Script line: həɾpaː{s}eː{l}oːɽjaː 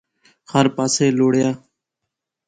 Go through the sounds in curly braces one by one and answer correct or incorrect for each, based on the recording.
correct, correct

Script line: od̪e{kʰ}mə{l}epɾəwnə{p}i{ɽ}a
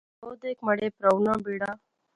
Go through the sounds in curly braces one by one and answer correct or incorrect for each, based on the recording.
incorrect: k, incorrect: ɽ, incorrect: b, correct

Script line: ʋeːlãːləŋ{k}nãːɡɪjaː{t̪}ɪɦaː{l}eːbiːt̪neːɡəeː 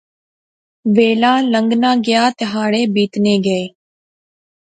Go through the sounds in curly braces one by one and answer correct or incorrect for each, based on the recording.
incorrect: ɡ, correct, incorrect: ɽ

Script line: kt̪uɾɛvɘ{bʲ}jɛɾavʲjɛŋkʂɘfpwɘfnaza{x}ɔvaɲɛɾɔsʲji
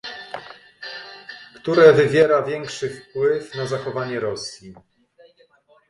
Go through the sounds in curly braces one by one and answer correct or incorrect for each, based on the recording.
incorrect: vʲ, correct

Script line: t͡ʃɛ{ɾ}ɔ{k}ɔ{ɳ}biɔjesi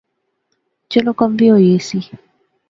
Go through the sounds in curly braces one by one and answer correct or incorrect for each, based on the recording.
incorrect: l, correct, incorrect: m

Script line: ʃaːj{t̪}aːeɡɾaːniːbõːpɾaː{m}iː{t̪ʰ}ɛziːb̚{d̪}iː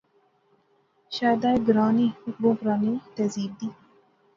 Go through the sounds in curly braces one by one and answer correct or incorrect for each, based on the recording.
incorrect: d̪, incorrect: n, incorrect: t̪, correct

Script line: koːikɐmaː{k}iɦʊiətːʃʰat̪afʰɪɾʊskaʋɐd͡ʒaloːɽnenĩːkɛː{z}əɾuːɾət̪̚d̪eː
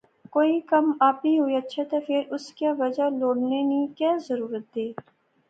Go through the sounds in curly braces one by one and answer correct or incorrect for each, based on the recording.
incorrect: p, correct

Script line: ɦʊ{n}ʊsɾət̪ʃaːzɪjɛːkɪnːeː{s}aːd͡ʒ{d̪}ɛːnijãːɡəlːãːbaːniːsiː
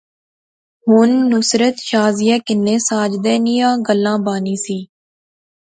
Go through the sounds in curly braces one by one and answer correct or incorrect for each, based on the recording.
incorrect: nː, correct, correct

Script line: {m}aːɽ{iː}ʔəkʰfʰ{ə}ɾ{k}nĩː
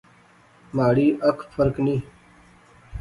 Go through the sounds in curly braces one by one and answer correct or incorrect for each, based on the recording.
correct, correct, correct, correct

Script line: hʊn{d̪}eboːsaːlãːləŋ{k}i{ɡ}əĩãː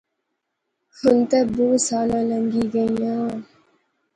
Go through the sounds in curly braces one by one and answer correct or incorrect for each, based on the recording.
incorrect: t̪, incorrect: ɡ, correct

